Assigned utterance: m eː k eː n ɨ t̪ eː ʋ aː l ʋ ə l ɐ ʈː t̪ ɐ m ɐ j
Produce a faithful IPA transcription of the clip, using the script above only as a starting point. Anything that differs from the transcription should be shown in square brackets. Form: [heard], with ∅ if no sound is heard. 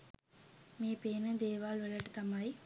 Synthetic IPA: m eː [p] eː n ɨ [d̪] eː ʋ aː l ʋ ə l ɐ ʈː t̪ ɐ m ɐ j

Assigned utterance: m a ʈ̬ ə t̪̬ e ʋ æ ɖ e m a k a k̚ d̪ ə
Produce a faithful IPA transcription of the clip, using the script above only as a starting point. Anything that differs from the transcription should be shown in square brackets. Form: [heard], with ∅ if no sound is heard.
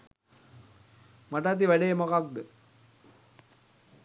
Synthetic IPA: m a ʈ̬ [a] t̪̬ [i] ʋ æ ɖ e m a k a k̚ d̪ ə

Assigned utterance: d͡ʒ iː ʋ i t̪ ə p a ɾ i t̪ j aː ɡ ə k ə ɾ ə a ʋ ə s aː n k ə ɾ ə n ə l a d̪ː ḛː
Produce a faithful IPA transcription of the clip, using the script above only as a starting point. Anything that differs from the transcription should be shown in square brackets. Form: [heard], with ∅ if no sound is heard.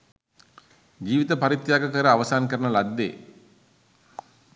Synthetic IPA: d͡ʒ iː ʋ i t̪ ə p a ɾ i t̪ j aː ɡ ə k ə ɾ ə a ʋ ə s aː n k ə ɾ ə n ə l a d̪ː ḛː

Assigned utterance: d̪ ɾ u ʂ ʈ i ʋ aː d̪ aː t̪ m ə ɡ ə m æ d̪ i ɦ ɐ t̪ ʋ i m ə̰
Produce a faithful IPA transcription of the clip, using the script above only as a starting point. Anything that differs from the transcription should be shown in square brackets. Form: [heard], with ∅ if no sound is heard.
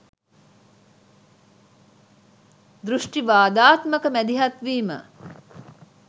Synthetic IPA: d̪ ɾ u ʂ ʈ i ʋ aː d̪ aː t̪ m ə [k] ə m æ d̪ i ɦ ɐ t̪ ʋ [iː] m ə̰

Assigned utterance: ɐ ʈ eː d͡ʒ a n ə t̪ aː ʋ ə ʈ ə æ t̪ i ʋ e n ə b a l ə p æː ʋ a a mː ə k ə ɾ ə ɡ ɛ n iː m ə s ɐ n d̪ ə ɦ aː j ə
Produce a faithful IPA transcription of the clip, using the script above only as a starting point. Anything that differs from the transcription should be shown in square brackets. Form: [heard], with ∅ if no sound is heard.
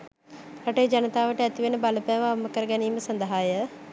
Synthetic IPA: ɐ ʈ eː d͡ʒ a n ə t̪ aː ʋ ə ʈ ə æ t̪ i ʋ e n ə b a l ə p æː ʋ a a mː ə k ə ɾ ə ɡ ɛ n iː m ə s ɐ n d̪ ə ɦ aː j ə

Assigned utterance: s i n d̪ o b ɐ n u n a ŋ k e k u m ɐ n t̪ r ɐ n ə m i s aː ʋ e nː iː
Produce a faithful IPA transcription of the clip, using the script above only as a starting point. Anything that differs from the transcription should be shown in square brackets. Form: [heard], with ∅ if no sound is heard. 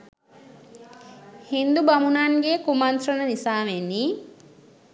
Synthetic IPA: [h] i n d̪ [u] b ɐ [m] u n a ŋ [ɡ] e k u m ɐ n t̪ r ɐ n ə [n] i s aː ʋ e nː iː

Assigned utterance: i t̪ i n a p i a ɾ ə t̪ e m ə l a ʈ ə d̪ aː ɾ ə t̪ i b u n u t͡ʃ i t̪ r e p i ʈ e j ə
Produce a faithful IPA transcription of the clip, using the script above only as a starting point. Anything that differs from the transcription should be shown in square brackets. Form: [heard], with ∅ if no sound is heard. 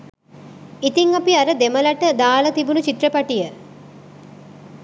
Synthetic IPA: i t̪ i [ŋ] a p i a ɾ ə [d̪] e m ə l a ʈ ə d̪ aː [l] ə t̪ i b u n u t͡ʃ i t̪ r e p [a] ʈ [i] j ə

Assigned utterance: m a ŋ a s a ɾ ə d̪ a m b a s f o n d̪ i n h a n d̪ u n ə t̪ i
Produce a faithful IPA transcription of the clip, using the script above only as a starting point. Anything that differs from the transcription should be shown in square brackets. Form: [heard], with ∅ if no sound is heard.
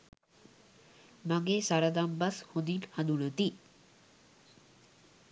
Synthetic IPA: m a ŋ [e] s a ɾ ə d̪ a m b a s [h] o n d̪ i n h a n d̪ u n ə t̪ i

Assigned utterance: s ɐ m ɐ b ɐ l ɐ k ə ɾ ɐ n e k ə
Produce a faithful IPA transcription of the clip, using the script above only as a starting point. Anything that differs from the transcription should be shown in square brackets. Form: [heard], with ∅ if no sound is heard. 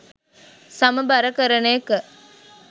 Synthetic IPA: s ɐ m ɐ b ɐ [ɾ] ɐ k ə ɾ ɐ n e k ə

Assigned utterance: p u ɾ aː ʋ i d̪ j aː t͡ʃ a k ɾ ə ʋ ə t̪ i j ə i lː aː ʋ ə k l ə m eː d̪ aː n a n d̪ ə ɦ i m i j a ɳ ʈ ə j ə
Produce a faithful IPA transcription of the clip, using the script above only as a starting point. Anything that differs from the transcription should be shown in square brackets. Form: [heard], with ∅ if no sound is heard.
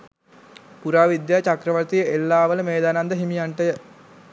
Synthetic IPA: p u ɾ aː ʋ i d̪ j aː t͡ʃ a k ɾ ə ʋ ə t̪ i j ə [e] lː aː ʋ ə [∅] l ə m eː d̪ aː n a n d̪ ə ɦ i m i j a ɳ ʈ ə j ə

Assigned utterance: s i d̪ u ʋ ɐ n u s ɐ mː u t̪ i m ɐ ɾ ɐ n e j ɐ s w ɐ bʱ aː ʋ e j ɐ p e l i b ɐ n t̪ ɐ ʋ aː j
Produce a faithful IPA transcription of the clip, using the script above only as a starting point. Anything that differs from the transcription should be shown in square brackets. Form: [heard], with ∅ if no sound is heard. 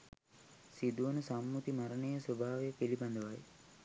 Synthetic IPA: s i d̪ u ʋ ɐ n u s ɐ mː u t̪ i m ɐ ɾ ɐ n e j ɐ s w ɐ bʱ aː ʋ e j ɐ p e l i b ɐ n [d̪] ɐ ʋ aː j

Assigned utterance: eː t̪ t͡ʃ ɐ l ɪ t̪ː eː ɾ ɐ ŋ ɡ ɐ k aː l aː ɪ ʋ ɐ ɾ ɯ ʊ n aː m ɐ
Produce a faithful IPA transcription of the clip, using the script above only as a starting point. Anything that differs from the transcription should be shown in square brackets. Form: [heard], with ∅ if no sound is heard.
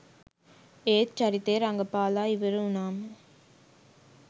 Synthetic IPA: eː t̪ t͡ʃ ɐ [ɾ] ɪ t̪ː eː ɾ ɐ ŋ ɡ ɐ [p] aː l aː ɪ ʋ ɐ ɾ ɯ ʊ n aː m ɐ

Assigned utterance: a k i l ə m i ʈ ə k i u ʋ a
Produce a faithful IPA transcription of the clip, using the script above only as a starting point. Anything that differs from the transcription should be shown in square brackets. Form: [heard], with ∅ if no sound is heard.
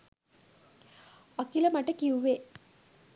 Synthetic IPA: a k i l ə m [a] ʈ ə k i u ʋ [e]

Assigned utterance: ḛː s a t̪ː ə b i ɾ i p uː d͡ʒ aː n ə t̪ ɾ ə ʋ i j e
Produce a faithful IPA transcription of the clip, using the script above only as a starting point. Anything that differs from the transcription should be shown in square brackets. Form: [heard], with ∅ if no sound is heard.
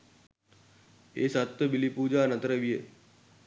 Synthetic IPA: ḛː s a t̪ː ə b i [l] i p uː d͡ʒ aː n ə t̪ ɾ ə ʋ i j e

